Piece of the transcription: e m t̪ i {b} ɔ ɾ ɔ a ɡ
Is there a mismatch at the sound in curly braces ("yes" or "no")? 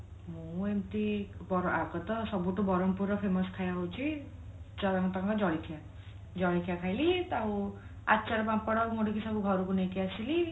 no